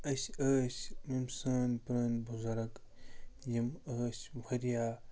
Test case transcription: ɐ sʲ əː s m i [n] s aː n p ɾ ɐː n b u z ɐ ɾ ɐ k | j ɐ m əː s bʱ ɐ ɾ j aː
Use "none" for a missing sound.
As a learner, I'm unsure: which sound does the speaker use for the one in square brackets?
m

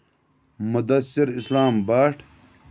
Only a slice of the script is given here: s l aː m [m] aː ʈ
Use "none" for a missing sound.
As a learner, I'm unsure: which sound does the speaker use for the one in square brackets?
b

